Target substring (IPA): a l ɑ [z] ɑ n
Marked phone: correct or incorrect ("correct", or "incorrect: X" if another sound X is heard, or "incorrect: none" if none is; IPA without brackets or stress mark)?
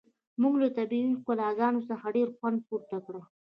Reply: correct